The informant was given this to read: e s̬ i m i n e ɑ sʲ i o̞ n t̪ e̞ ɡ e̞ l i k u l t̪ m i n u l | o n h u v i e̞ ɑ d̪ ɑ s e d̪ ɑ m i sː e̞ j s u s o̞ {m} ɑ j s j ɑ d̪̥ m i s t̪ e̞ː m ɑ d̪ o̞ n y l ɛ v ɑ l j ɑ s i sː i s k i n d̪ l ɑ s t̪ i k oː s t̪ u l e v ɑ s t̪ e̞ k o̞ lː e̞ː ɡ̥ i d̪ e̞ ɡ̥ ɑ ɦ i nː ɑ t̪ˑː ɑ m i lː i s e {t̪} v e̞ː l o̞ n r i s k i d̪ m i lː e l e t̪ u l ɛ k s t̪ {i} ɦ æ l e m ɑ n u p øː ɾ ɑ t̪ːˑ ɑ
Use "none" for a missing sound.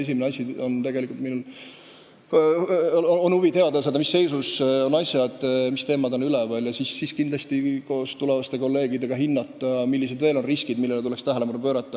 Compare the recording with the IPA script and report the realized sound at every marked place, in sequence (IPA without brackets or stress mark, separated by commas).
n, d̪, æ